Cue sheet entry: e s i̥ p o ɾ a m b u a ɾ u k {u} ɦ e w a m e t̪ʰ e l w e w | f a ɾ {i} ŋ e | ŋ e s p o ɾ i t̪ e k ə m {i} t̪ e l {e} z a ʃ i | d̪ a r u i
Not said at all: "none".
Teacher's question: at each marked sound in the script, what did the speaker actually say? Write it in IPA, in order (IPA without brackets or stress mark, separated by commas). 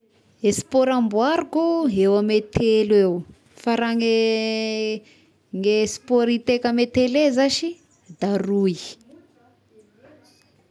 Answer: u, a, e, e